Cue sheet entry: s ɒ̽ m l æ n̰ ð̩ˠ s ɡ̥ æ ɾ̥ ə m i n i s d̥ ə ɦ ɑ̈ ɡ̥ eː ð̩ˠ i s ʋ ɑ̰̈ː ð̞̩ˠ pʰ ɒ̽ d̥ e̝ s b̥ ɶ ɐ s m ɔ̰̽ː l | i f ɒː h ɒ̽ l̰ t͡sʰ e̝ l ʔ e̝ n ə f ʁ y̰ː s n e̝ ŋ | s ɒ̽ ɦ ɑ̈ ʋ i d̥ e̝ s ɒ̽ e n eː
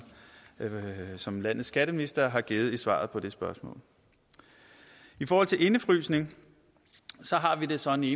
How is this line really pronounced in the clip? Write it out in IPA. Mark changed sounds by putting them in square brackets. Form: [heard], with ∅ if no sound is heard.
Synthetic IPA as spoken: s ɒ̽ m l æ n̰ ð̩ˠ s ɡ̥ æ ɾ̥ ə m i n i s d̥ [ɐ] ɦ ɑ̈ ɡ̥ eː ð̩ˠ i s ʋ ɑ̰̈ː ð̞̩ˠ pʰ ɒ̽ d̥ e̝ s b̥ ɶ ɐ s m ɔ̰̽ː l | i f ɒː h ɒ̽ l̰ t͡sʰ e̝ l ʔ e̝ n ə f ʁ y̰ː s n e̝ ŋ | s ɒ̽ ɦ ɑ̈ ʋ i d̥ e̝ s ɒ̽ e n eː